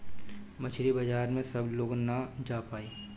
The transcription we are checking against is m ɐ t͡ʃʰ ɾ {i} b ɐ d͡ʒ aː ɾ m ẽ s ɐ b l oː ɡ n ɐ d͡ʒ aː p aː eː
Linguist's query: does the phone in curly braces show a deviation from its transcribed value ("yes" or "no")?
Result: no